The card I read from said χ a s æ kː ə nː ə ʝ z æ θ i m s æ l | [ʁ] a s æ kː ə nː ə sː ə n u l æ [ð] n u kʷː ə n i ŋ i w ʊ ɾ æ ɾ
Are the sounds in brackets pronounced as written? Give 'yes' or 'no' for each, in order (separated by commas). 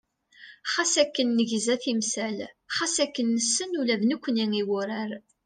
no, yes